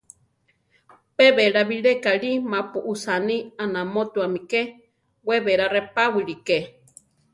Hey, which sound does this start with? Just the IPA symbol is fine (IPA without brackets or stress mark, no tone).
p